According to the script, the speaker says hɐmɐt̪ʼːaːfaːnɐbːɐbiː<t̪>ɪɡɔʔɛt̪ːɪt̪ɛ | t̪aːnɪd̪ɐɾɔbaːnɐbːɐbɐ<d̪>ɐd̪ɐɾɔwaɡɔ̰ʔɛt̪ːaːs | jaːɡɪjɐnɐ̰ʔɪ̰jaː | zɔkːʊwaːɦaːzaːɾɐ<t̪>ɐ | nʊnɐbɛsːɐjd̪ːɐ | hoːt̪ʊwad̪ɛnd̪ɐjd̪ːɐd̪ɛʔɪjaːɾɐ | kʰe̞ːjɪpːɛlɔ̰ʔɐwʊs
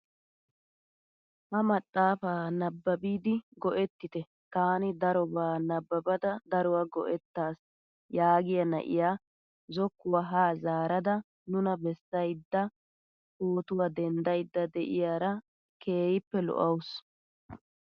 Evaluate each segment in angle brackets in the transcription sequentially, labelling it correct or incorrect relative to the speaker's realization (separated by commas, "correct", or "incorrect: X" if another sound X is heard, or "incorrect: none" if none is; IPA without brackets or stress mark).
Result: incorrect: d̪, correct, incorrect: d̪